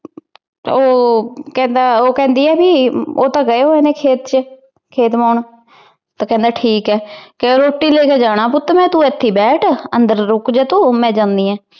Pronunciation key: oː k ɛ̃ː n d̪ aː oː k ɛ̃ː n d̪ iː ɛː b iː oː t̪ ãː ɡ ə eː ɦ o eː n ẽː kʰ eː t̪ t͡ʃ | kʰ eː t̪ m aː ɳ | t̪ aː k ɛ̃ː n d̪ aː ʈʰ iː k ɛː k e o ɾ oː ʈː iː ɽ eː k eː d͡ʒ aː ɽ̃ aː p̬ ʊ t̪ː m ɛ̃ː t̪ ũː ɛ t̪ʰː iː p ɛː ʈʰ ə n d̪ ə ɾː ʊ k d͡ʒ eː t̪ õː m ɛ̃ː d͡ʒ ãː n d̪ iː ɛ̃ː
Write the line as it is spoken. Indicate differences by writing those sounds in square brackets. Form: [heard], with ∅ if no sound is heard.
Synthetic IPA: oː k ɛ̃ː n d̪ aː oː k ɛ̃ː n d̪ iː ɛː b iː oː t̪ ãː ɡ ə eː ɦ o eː n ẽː kʰ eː t̪ t͡ʃ | kʰ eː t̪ m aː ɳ | t̪ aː k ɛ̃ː n d̪ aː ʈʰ iː k ɛː k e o ɾ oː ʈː iː [l] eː k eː d͡ʒ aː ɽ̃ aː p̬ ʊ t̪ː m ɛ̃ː t̪ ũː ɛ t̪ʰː iː [b] ɛː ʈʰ ə n d̪ ə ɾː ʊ k d͡ʒ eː t̪ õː m ɛ̃ː d͡ʒ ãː n d̪ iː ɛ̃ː